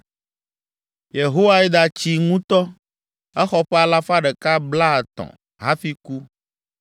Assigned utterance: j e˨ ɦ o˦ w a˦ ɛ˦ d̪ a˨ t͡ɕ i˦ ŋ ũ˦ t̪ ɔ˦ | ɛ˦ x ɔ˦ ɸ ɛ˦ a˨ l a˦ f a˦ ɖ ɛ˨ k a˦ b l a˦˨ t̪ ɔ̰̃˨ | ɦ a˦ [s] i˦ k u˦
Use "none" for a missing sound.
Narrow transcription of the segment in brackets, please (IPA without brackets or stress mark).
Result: f